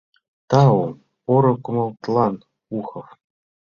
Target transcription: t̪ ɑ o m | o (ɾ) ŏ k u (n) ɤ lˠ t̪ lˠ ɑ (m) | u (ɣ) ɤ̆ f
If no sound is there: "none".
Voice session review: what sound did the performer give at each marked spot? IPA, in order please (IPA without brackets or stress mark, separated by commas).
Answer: ɾ, m, n, x